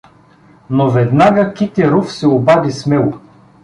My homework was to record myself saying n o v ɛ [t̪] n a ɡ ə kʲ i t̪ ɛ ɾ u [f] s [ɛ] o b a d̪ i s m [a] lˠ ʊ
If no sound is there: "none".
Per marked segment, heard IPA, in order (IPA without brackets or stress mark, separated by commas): d̪, f, ɛ, ɛ